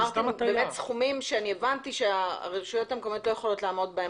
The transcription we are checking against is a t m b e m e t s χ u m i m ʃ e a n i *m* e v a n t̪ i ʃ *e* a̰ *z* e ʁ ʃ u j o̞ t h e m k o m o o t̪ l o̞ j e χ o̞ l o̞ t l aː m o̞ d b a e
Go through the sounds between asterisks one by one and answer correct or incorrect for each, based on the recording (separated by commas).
incorrect, correct, incorrect